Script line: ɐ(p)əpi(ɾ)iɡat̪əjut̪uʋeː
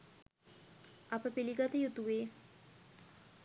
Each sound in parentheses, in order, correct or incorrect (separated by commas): correct, incorrect